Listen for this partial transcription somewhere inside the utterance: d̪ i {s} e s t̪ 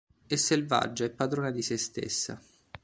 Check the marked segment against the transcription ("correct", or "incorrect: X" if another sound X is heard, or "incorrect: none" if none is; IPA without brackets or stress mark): correct